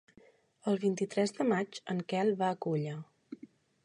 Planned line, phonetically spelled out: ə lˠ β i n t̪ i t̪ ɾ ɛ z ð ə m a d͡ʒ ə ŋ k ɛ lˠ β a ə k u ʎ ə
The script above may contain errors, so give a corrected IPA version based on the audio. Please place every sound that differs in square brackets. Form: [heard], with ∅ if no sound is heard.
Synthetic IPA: ə lˠ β i n t̪ i t̪ ɾ ɛ z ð ə m a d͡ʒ ə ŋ k ɛ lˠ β a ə k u ʎ ə